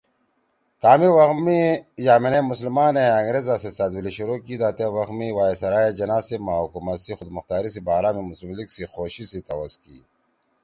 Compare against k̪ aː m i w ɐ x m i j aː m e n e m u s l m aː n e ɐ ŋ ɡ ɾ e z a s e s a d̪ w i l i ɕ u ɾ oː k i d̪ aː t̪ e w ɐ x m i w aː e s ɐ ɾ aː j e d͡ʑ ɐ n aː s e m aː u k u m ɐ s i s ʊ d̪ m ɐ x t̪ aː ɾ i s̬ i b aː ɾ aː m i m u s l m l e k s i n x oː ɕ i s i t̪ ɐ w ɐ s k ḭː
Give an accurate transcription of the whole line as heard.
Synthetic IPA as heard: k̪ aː m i w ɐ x m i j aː m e n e m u s l m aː n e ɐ ŋ ɡ ɾ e z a s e s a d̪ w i l i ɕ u ɾ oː k i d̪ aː t̪ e w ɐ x m i w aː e s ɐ ɾ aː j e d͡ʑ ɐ n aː s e m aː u k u m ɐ s i x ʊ d̪ m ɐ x t̪ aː ɾ i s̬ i b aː ɾ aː m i m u s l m l i k s i x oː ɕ i s i t̪ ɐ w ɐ s k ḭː